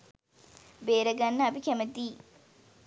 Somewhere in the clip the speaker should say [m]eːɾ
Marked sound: incorrect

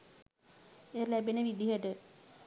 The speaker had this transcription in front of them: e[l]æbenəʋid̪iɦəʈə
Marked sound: correct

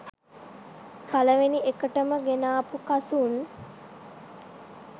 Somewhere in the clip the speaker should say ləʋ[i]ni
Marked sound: incorrect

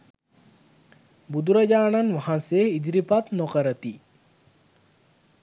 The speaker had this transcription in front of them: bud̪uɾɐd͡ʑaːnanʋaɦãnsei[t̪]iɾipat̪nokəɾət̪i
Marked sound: incorrect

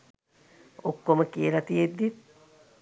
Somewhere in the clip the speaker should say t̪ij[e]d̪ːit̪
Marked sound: correct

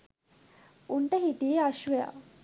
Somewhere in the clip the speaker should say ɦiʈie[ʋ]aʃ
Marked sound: incorrect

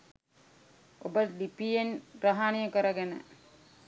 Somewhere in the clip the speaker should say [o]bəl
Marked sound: correct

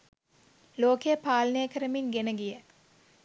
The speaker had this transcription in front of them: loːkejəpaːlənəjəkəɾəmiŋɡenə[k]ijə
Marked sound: incorrect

